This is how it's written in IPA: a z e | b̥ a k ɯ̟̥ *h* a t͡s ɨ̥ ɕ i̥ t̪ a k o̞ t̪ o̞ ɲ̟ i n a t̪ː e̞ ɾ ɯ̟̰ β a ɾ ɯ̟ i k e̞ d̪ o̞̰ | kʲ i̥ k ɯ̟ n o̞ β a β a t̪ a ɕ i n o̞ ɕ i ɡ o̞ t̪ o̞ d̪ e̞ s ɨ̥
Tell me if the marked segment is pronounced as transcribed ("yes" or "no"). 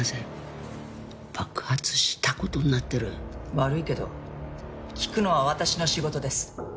yes